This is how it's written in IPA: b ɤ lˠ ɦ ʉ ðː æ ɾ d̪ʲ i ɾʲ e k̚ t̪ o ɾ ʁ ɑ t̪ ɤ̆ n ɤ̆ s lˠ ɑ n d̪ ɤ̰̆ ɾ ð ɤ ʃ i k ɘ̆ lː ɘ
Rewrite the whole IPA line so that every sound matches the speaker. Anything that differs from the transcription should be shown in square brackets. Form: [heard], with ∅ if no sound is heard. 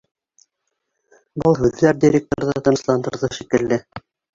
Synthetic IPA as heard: b ɤ lˠ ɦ ʉ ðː æ ɾ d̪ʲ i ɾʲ e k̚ t̪ o ɾ [ð] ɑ t̪ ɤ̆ n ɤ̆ s lˠ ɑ n d̪ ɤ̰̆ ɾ ð ɤ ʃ i k ɘ̆ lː ɘ